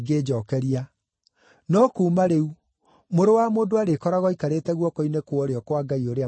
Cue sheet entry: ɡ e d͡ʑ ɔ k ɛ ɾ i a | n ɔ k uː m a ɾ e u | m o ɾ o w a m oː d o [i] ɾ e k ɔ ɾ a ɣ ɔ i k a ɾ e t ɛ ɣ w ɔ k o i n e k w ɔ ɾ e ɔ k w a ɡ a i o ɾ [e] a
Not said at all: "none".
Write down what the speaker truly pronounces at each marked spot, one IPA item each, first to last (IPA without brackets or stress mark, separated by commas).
a, e